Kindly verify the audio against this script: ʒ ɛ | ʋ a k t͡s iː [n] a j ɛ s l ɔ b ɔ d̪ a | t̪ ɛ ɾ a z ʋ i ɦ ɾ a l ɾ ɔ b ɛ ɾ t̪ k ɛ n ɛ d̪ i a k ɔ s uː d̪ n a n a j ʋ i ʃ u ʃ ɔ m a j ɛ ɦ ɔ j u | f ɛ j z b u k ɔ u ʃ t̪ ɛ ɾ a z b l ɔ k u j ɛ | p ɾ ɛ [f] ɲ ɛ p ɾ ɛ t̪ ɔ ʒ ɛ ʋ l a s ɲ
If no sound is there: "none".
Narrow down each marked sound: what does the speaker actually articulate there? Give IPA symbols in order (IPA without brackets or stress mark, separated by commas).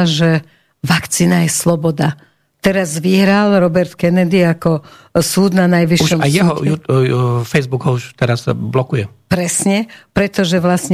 n, s